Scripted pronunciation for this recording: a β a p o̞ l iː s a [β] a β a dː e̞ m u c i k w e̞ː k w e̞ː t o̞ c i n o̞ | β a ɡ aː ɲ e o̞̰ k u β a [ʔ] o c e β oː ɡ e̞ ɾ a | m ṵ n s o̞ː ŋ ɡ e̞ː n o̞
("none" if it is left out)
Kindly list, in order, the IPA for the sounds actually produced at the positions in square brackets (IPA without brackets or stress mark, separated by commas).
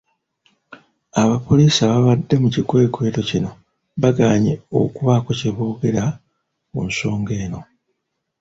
β, k